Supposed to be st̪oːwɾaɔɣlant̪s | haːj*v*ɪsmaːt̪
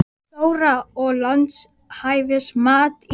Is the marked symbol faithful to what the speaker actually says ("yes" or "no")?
yes